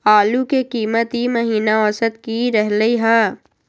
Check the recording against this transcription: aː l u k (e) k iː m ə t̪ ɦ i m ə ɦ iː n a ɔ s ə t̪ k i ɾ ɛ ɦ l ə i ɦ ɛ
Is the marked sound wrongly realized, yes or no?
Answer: no